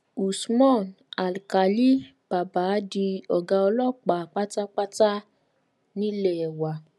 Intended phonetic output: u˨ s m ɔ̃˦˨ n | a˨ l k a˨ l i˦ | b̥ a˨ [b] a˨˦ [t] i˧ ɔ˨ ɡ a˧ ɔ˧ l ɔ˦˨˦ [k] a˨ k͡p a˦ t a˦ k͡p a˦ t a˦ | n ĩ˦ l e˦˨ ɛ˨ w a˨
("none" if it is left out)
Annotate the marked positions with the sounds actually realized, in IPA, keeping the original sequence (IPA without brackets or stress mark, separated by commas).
b, d, k͡p